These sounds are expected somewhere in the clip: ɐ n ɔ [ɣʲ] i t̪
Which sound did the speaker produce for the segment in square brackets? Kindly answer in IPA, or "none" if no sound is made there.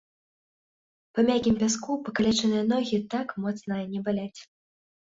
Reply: ɣʲ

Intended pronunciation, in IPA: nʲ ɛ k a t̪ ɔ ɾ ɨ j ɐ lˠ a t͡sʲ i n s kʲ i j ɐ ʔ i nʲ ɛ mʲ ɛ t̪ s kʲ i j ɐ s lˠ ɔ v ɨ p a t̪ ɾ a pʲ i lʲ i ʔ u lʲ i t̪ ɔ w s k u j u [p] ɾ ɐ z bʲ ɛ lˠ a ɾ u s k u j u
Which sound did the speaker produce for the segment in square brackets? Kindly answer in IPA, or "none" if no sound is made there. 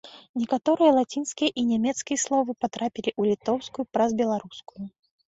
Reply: p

